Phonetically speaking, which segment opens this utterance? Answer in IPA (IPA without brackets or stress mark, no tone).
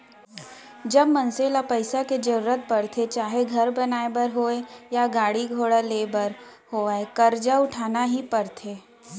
d͡ʒ